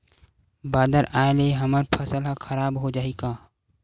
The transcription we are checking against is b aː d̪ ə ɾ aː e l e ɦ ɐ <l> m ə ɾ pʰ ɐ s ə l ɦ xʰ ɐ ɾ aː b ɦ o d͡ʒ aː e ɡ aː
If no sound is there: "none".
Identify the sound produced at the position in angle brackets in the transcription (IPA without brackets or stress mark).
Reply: none